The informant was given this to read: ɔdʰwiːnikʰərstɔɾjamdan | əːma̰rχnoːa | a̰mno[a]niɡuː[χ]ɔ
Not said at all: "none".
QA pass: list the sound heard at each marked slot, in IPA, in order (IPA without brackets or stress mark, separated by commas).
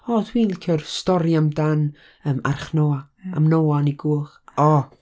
a, χ